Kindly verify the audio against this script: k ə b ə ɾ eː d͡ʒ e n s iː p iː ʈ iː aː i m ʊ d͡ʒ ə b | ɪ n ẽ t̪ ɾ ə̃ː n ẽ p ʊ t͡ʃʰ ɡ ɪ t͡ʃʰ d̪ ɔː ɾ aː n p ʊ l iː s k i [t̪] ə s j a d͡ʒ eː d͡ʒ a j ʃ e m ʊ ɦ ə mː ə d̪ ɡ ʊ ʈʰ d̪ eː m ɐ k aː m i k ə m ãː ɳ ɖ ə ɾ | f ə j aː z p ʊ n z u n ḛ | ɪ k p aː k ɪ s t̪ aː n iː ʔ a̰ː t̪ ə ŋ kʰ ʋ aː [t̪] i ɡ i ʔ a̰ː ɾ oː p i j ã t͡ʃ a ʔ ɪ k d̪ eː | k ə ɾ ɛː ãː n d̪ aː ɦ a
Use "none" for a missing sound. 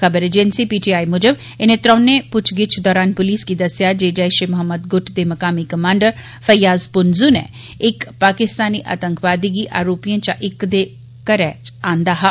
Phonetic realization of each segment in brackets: d̪, d̪

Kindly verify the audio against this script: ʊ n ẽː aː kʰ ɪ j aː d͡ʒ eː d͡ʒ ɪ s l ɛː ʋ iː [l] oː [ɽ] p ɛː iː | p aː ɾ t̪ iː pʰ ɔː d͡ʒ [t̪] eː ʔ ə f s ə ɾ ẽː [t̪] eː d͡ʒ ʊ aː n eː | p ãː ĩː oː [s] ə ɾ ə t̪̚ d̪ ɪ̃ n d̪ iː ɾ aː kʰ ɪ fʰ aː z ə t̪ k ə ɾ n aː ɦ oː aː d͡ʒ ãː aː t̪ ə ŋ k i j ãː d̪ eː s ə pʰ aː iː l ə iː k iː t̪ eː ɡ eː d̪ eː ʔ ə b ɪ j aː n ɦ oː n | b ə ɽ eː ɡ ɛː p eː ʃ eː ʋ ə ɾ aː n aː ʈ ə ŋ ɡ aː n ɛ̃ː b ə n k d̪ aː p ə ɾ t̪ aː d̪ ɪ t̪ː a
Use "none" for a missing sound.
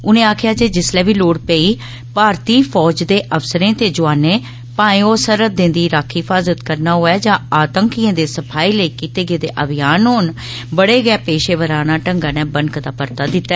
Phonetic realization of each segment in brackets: l, ɽ, d̪, t̪, s

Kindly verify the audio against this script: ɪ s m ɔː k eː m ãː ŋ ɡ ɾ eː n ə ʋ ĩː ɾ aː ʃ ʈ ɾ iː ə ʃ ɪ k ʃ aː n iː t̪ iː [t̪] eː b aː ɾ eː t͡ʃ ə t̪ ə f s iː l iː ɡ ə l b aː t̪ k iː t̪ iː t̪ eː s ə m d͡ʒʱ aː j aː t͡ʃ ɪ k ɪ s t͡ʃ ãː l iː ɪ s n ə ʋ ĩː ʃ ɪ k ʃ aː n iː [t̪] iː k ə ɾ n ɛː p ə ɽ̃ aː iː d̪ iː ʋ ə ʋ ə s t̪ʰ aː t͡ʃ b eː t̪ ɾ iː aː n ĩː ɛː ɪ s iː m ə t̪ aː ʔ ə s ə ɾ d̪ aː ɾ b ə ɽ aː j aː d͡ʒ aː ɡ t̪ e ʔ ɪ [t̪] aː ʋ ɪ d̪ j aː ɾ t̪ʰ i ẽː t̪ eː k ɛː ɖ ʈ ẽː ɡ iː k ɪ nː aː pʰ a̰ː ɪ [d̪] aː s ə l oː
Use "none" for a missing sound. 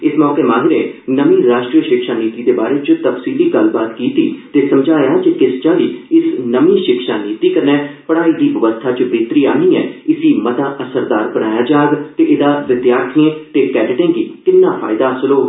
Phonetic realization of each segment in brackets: d̪, t̪, d̪, d̪

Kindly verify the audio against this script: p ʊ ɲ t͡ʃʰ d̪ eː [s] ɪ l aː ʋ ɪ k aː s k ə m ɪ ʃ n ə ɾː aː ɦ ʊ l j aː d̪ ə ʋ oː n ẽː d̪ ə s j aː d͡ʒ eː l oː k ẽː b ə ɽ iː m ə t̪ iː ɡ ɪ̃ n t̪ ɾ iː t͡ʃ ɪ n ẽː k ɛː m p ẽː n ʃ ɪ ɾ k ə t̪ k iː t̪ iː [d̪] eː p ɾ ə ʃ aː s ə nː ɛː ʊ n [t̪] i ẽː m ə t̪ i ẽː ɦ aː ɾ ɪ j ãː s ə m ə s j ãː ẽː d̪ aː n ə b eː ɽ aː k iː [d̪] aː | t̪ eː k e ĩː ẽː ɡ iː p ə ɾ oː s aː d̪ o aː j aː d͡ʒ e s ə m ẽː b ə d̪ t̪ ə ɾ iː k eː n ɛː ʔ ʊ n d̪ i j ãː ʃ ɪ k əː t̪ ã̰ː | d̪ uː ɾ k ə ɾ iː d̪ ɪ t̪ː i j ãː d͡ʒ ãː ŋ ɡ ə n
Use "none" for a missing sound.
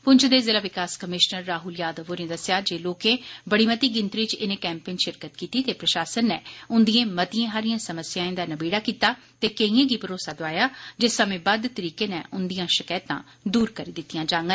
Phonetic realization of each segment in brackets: z, t̪, d̪, t̪

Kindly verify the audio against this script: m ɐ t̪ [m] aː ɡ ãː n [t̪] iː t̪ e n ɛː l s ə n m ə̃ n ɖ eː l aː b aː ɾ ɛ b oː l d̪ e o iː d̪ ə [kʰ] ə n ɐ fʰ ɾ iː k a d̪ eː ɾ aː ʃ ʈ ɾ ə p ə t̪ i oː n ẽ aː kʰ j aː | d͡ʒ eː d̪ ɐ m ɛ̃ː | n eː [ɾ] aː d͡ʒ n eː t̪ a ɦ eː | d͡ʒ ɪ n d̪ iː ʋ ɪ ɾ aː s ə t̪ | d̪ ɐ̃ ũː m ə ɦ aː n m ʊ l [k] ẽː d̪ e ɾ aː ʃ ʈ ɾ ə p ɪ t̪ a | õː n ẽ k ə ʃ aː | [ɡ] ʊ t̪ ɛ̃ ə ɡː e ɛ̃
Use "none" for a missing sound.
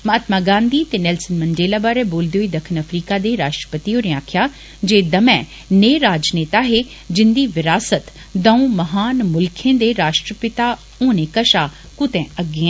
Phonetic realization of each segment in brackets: m, d̪, kʰ, ɾ, kʰ, k

